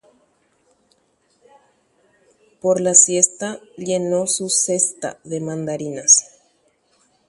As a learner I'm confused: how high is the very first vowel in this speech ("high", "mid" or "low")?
mid